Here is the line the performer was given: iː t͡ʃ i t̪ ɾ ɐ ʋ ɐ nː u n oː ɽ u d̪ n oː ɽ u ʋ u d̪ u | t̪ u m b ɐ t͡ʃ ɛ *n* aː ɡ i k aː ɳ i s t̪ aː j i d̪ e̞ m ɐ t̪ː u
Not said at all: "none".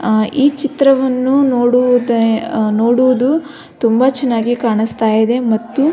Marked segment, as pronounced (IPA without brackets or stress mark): nː